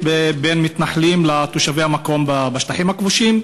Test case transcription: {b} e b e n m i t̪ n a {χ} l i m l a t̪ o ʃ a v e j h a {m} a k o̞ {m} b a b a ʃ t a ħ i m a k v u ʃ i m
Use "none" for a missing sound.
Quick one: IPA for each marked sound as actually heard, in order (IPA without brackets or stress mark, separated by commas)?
b, ħ, m, m